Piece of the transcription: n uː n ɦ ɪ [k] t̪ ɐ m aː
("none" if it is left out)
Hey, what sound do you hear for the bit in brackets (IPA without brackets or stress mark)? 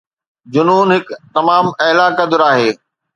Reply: k